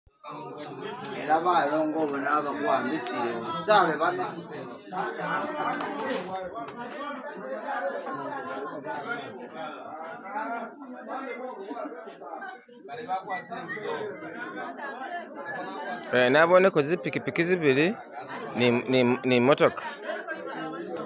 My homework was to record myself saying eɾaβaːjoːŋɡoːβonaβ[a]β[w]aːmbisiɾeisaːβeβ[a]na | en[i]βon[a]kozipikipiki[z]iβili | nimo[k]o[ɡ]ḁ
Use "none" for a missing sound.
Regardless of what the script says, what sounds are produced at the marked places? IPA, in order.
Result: a, w, a, a, e, z, t, k

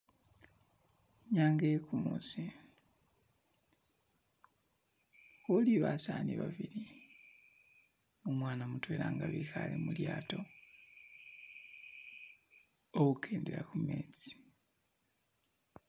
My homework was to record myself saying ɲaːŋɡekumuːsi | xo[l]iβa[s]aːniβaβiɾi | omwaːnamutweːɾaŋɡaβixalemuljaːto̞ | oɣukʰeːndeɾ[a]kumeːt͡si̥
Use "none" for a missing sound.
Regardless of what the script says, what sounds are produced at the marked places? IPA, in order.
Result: l, s, a

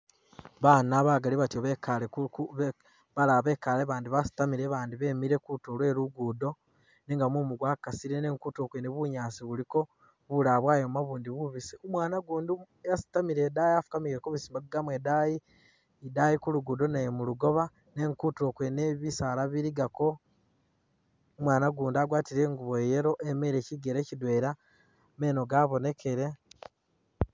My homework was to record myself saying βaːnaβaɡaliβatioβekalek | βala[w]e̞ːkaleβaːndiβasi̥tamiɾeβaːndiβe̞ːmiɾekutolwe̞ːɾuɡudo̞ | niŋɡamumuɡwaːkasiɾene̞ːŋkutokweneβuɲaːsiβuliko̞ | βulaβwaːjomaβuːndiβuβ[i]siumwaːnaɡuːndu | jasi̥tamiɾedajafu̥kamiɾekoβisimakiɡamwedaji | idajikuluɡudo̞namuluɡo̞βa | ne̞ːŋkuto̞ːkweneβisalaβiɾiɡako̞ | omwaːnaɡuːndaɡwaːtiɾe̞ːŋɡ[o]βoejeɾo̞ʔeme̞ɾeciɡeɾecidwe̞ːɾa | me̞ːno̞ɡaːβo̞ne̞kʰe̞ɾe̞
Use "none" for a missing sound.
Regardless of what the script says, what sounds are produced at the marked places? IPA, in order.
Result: β, i, u

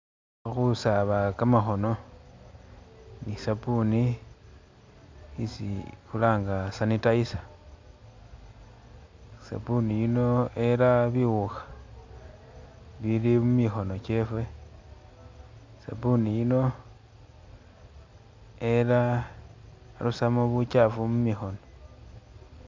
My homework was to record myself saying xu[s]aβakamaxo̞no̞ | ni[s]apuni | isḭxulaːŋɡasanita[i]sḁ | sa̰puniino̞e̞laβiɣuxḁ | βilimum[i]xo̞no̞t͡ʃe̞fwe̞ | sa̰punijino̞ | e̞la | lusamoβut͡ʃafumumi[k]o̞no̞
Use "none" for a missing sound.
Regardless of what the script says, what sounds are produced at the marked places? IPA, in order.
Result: s, s, i, i, x

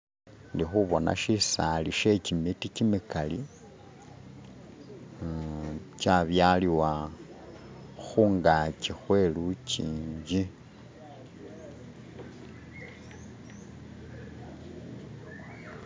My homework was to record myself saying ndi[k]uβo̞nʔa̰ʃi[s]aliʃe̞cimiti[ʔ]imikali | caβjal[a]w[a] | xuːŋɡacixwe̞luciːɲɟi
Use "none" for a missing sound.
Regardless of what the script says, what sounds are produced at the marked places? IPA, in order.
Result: x, s, c, i, a

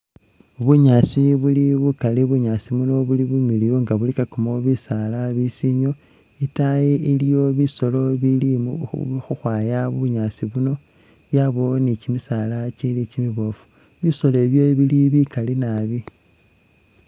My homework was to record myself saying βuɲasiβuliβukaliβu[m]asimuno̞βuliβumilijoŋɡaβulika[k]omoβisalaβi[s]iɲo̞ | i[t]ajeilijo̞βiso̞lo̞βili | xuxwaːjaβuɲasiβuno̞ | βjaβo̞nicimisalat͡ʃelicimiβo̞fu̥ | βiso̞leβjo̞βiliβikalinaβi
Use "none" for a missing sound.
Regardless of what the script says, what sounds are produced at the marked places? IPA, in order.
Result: ɲ, k, s, t

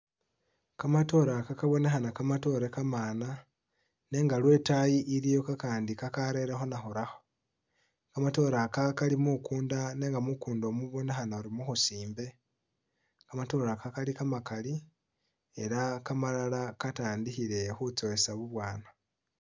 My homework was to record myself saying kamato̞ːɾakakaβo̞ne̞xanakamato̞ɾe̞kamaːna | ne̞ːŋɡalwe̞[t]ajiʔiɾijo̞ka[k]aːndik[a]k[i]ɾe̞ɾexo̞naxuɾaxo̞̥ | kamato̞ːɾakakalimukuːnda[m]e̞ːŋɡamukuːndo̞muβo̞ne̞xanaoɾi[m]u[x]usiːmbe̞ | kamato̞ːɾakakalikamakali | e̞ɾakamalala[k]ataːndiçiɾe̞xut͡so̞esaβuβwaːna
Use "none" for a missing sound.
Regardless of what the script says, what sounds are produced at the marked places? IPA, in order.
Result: t, k, a, a, n, m, x, k

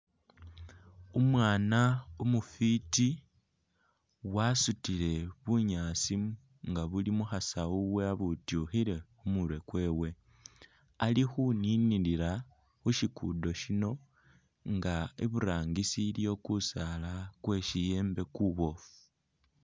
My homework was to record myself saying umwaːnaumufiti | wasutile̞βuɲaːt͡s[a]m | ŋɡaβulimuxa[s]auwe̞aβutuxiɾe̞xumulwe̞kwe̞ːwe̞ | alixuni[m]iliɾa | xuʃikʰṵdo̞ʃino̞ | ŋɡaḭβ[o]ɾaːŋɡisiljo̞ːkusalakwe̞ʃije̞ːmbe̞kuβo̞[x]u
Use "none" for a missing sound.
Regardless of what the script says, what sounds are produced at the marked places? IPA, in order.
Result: i, s, n, u, f

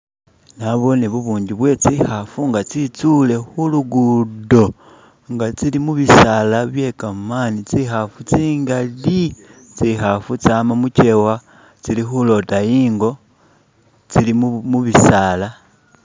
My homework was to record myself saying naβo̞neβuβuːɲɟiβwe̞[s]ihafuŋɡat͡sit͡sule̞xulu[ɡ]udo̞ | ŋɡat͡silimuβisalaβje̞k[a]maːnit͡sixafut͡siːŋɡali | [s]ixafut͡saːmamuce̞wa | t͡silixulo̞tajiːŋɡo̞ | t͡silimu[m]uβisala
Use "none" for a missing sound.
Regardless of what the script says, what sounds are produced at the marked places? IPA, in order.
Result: t͡s, ɡ, a, t͡s, m

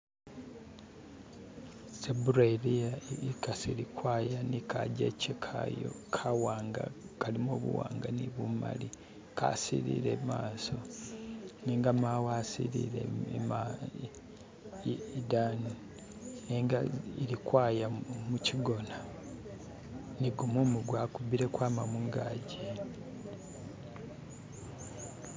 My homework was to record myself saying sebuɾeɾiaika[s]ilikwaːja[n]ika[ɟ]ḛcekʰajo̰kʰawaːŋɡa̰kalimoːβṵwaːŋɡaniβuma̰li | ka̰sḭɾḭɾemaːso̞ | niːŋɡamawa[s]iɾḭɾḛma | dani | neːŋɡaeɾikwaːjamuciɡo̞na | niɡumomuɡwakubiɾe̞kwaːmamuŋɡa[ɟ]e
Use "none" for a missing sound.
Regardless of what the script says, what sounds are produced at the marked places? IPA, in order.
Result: s, n, ɟ, s, ɟ

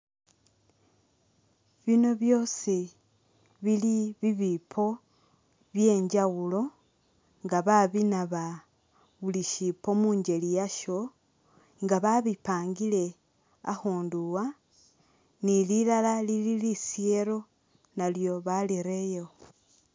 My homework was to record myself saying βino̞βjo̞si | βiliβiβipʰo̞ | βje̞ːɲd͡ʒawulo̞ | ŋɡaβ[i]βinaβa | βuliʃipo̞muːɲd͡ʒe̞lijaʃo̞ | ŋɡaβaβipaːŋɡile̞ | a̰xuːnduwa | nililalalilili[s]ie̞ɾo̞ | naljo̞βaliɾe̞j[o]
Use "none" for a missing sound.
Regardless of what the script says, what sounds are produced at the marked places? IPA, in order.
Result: a, s, o

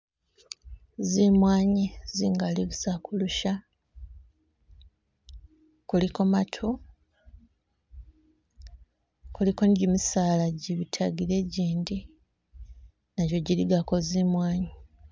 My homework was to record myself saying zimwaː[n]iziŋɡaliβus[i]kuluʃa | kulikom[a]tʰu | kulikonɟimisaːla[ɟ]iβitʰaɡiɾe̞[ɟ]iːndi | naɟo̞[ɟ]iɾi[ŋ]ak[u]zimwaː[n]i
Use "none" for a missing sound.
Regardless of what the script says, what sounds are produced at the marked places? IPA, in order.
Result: ɲ, a, a, ɟ, ɟ, ɟ, ɡ, o, ɲ

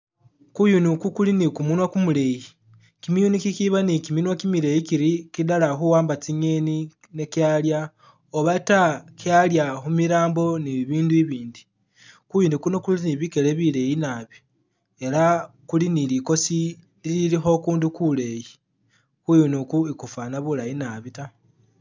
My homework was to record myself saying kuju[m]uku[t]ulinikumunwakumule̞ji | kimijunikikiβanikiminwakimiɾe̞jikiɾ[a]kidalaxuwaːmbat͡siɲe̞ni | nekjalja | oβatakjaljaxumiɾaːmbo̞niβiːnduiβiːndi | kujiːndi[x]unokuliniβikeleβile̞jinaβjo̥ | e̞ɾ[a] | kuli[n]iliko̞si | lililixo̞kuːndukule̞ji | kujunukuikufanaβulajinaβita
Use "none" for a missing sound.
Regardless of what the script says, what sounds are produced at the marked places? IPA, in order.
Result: n, k, i, k, a, n

